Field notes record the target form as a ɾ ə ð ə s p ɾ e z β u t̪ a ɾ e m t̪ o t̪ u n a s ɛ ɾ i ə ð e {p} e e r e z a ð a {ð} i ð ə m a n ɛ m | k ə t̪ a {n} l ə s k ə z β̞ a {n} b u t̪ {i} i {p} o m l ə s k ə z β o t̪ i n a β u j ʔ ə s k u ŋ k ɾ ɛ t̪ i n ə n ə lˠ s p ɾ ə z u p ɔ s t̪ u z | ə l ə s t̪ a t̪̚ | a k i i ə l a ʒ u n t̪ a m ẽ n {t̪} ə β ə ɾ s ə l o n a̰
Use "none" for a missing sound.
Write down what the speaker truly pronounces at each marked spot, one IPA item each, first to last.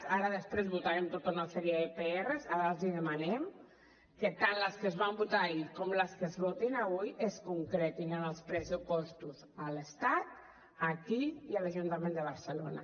p, z, n, m, a, k, d̪

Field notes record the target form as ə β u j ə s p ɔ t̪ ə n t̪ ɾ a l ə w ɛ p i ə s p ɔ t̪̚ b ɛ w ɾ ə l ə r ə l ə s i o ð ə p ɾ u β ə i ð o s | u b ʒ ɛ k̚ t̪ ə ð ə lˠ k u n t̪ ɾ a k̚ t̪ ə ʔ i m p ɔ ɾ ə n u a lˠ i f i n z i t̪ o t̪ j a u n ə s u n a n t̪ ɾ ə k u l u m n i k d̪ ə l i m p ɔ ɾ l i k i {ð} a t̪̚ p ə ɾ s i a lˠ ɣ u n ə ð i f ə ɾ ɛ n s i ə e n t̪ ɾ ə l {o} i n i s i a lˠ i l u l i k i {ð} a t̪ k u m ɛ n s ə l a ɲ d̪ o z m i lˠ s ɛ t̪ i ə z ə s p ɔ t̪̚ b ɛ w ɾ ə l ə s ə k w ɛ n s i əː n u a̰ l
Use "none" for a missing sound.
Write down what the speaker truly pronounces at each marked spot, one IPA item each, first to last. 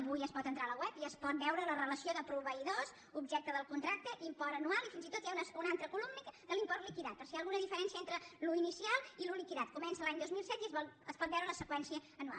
ð, u, ð

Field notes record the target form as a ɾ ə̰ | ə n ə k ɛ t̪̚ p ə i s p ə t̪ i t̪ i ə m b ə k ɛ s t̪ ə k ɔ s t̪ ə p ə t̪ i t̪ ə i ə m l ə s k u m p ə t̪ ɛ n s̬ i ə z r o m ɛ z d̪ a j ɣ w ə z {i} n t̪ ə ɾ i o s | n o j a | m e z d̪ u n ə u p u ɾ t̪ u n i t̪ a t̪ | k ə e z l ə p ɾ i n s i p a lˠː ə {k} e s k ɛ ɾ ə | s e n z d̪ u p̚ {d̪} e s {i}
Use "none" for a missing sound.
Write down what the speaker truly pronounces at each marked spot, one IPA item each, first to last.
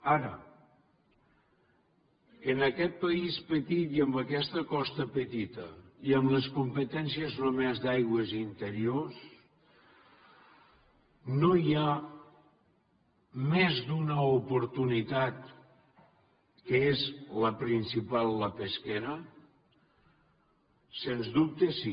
i, p, t̪, i

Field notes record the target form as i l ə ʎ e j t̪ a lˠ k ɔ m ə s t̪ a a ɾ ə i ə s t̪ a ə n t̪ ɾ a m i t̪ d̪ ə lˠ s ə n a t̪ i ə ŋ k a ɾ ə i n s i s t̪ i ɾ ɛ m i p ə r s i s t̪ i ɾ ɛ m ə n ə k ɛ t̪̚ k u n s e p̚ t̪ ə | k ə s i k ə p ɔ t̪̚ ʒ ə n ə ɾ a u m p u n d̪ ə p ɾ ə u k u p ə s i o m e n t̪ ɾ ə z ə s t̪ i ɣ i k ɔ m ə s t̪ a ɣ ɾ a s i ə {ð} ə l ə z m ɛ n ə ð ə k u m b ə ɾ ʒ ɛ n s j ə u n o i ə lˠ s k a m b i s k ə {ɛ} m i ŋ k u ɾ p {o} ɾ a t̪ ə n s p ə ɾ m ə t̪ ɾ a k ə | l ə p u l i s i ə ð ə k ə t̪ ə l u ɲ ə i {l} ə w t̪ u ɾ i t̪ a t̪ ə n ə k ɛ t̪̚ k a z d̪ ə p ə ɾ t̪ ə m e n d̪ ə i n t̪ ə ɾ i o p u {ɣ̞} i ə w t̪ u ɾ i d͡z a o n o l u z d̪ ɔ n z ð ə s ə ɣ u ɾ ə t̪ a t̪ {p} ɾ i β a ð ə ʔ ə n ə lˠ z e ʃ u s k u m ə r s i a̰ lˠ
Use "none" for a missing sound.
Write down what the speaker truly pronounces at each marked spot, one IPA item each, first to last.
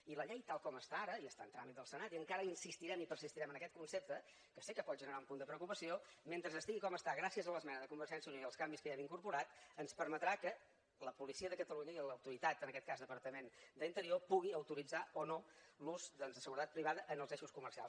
z, ɛ, u, l, ɣ̞, p

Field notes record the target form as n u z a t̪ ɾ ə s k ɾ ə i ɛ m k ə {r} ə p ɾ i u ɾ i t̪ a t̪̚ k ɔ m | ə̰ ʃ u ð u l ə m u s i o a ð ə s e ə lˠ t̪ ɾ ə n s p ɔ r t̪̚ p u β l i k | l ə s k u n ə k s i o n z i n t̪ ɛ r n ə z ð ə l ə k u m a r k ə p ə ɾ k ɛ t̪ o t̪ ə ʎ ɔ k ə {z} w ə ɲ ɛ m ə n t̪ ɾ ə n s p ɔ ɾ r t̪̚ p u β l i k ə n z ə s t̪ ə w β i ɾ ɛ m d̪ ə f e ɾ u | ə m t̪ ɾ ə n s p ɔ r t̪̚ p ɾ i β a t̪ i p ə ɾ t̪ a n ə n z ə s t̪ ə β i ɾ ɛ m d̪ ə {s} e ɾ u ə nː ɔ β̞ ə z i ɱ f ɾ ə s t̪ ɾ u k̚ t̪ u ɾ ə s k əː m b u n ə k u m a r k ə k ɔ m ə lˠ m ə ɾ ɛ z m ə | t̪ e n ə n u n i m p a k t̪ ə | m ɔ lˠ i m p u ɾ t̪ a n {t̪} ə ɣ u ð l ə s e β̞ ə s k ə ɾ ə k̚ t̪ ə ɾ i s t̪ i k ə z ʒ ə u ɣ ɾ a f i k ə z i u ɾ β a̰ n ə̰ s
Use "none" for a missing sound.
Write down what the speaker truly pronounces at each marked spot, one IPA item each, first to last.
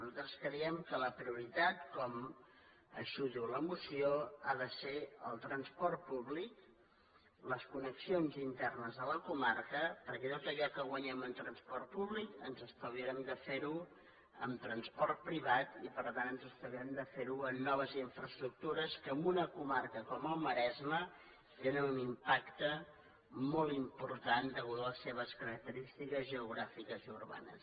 l, ɣ, f, d̪

